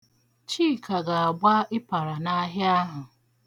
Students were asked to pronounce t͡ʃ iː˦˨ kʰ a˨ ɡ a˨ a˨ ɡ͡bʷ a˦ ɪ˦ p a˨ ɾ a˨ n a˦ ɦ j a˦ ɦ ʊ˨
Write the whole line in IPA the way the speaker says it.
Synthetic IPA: t͡ʃ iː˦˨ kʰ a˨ ɡ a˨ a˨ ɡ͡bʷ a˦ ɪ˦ p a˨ ɾ a˨ n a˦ ɦ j a˦ ɦ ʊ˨